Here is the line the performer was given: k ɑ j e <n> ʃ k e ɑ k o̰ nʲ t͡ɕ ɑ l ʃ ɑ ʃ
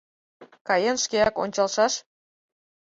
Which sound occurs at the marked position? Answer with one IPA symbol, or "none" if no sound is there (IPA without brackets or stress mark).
n